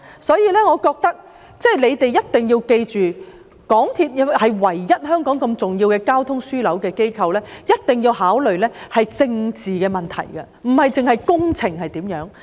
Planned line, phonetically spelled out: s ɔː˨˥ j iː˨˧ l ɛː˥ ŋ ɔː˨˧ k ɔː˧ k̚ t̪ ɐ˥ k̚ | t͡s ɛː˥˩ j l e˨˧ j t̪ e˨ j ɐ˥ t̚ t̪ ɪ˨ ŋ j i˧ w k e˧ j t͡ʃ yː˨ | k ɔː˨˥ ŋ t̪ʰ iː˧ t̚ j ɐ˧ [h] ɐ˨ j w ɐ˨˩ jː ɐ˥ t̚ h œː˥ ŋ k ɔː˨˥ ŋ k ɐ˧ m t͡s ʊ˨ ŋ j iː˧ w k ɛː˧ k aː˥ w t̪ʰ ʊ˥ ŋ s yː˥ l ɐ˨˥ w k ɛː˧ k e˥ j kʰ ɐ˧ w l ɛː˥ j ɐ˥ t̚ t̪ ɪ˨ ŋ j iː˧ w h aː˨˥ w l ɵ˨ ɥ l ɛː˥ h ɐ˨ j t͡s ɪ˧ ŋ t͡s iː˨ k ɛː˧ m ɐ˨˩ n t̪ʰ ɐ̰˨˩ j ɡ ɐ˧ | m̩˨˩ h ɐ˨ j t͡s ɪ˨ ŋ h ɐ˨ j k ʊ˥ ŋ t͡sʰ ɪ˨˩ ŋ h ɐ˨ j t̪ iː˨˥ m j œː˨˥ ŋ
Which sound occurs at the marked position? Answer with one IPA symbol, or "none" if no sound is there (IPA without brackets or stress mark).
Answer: h